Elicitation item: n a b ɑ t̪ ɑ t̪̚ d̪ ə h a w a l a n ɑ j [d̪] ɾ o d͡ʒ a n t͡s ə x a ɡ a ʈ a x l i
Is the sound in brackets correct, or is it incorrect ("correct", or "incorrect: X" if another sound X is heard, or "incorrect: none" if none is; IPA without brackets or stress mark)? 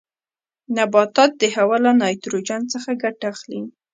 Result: incorrect: t̪